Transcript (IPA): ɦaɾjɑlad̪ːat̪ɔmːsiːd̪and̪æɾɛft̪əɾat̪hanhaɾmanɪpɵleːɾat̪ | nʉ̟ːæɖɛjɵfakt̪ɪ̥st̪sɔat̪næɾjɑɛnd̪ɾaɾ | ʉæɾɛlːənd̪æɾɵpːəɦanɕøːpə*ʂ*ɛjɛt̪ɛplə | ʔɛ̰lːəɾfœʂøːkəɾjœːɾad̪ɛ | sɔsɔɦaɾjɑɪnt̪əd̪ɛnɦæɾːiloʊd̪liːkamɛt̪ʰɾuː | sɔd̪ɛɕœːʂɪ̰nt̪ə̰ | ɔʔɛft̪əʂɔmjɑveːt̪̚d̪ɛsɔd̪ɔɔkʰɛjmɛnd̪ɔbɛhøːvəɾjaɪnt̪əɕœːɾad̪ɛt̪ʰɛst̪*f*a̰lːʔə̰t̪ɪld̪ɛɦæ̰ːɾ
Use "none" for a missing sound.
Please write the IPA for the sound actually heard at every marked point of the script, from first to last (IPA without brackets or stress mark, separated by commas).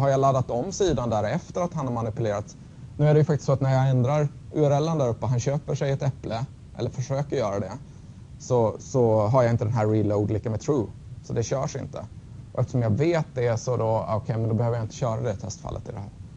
ʂ, f